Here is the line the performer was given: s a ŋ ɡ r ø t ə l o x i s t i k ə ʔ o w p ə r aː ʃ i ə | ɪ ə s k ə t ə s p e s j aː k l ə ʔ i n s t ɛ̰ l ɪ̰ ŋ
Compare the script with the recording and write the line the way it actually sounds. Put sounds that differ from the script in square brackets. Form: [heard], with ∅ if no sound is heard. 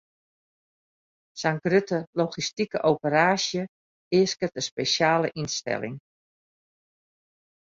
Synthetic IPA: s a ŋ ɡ r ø t ə l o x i s t i k ə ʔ o w p ə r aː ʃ [j] ə | ɪ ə s k ə t ə s p e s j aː [∅] l ə ʔ i n s t ɛ̰ l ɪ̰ ŋ